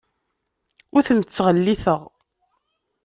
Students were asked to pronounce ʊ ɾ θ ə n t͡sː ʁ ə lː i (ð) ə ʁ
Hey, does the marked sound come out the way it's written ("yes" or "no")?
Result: no